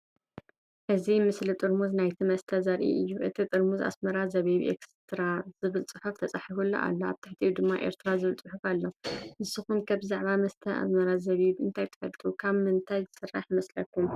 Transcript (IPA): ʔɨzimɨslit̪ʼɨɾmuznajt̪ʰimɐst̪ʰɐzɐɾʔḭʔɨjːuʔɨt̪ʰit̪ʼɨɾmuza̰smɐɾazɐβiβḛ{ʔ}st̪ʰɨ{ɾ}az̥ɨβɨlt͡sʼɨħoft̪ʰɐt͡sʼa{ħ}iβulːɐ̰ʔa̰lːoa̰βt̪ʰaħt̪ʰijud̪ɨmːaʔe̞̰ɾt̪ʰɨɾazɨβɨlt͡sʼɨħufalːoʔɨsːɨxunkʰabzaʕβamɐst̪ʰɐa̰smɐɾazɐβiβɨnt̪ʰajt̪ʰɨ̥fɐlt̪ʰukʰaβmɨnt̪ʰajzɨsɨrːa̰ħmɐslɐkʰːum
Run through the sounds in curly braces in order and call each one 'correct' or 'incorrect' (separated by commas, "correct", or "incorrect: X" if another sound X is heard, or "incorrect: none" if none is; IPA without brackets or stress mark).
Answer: incorrect: k, correct, correct